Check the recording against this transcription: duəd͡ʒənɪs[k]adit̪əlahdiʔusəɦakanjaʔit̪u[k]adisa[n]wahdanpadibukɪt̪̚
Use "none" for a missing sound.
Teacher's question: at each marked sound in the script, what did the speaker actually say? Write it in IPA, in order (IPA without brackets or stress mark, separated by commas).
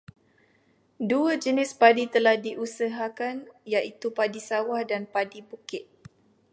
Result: p, p, none